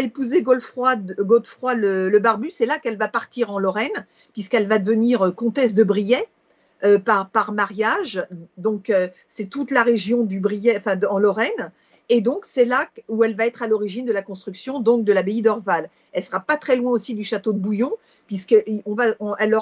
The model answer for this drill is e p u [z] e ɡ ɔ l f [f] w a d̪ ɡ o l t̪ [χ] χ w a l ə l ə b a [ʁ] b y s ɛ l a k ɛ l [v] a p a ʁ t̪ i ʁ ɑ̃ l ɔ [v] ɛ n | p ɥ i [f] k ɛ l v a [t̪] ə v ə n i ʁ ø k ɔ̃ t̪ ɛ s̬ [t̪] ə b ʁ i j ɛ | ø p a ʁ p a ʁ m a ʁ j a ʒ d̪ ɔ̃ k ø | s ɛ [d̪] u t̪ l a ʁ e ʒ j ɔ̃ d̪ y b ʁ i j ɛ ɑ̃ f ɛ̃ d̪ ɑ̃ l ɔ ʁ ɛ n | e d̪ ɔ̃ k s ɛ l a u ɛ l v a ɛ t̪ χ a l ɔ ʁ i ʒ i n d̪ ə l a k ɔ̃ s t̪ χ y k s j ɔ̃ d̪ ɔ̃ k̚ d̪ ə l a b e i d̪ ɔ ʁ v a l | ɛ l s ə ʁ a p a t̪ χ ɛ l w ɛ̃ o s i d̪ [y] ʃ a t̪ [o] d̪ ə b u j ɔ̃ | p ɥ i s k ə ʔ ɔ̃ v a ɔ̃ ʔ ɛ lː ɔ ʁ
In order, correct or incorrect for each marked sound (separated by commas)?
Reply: correct, incorrect, incorrect, correct, correct, incorrect, incorrect, incorrect, incorrect, incorrect, correct, correct